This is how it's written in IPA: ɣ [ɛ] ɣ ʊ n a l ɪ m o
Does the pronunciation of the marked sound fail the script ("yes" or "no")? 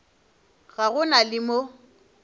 yes